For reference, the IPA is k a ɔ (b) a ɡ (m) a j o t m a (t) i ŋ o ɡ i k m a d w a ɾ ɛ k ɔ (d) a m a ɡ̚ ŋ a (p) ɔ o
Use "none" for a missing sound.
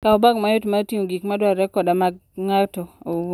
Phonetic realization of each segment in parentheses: b, m, t, d, t

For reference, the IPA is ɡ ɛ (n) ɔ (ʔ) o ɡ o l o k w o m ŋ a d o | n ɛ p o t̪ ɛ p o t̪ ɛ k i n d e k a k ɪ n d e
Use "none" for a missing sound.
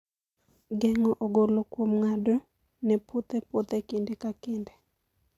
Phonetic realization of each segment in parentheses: ŋ, ʔ

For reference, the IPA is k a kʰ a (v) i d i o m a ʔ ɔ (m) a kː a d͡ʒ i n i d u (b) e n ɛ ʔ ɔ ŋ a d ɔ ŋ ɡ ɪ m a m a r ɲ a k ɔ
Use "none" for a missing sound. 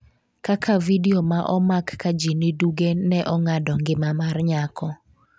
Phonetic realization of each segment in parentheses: v, m, ɡ

